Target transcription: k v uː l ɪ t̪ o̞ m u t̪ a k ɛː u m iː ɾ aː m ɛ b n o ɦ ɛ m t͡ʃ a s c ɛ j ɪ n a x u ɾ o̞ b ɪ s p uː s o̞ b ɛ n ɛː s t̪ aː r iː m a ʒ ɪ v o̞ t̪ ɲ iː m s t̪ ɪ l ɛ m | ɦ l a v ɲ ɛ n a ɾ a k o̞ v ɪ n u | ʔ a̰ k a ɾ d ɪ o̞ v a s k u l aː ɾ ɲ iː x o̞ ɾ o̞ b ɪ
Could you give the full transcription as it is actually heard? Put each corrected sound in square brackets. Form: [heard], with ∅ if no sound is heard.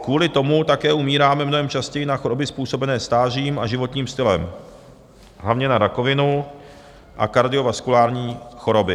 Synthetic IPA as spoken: k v uː l ɪ t̪ o̞ m u t̪ a k ɛː u m iː ɾ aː m ɛ [m] n o ɦ ɛ m t͡ʃ a s c ɛ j ɪ n a x [o] ɾ o̞ b ɪ s p uː s o̞ b ɛ n ɛː s t̪ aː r iː m a ʒ ɪ v o̞ t̪ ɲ iː m s t̪ ɪ l ɛ m | ɦ l a v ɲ ɛ n a ɾ a k o̞ v ɪ n u | ʔ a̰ k a ɾ d ɪ o̞ v a s k u l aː ɾ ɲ iː x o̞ ɾ o̞ b ɪ